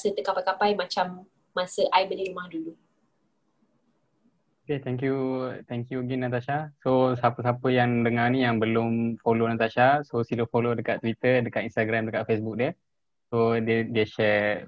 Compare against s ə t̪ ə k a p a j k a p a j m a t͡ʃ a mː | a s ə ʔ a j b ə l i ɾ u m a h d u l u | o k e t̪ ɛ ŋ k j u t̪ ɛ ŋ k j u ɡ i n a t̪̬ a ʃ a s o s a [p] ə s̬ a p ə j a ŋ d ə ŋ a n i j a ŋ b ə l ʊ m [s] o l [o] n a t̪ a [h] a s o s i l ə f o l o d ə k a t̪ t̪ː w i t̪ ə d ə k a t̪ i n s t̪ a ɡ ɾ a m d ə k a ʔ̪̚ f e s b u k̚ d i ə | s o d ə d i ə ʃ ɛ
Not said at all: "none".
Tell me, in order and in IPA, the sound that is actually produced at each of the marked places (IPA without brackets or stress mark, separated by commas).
p, f, o, ʃ